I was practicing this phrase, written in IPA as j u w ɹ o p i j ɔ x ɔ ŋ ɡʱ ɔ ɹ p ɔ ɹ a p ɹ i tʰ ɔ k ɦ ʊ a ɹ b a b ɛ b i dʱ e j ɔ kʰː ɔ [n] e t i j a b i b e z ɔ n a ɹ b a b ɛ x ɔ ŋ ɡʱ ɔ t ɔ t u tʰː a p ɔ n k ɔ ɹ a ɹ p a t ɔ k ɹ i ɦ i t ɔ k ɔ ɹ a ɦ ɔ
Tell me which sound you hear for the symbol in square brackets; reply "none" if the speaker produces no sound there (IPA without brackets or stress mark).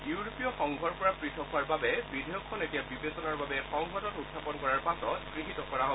n